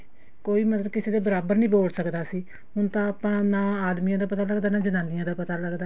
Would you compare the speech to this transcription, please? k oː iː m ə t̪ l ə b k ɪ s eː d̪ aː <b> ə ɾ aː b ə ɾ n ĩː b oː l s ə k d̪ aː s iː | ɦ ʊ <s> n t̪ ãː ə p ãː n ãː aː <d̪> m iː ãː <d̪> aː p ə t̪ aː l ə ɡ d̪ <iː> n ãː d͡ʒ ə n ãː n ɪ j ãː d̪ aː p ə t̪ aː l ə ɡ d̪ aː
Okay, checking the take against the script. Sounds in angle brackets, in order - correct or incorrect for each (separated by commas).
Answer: correct, incorrect, correct, correct, incorrect